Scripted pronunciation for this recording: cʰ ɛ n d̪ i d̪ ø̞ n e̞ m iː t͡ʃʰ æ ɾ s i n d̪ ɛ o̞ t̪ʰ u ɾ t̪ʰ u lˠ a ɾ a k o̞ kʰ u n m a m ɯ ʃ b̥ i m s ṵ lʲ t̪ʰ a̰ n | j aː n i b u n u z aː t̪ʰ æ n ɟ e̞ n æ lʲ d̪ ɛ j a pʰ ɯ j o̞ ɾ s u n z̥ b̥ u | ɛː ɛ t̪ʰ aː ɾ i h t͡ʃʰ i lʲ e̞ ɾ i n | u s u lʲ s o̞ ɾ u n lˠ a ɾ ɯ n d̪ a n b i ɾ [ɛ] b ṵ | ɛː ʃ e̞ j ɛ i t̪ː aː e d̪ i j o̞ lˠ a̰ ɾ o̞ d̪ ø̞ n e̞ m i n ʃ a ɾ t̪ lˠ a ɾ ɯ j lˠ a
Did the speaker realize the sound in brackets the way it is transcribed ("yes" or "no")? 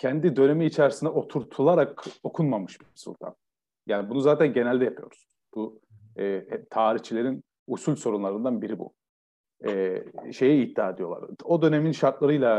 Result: no